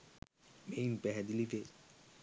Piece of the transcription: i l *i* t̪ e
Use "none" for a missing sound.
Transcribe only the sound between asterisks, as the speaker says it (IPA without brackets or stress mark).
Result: i